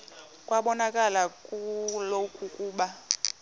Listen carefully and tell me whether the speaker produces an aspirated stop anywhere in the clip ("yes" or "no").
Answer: no